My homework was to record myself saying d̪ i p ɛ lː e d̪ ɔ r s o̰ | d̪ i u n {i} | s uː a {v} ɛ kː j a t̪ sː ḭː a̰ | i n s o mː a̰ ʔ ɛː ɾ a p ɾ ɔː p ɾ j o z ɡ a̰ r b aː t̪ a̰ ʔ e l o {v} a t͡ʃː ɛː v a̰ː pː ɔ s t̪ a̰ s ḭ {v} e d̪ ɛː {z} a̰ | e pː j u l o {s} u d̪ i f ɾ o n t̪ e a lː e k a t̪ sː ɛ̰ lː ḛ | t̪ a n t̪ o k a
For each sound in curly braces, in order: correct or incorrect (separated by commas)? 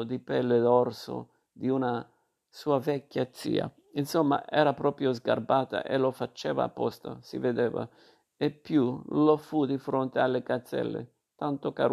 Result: incorrect, correct, incorrect, correct, incorrect, incorrect